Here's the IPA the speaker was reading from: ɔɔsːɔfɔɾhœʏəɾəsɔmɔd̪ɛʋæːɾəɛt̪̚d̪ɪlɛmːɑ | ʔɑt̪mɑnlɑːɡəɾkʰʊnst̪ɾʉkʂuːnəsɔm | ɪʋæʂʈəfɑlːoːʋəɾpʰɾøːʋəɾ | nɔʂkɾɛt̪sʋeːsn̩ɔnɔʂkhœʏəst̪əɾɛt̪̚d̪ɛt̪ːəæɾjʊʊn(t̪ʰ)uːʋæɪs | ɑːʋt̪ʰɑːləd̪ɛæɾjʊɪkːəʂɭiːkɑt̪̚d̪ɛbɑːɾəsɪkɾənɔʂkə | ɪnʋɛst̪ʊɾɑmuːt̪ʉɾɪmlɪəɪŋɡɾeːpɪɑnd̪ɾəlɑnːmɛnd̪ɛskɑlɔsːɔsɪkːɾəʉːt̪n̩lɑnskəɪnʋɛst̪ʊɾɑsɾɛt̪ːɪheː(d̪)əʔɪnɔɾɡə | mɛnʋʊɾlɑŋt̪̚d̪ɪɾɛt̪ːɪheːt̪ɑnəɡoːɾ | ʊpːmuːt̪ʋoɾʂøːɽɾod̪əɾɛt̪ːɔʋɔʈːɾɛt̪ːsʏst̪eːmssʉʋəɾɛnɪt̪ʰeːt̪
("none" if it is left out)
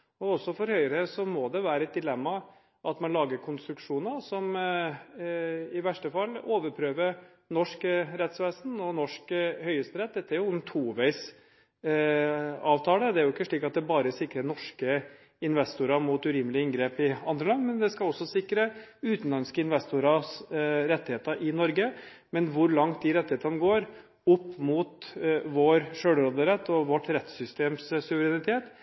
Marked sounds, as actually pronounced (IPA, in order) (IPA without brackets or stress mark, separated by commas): t̪ʰ, t̪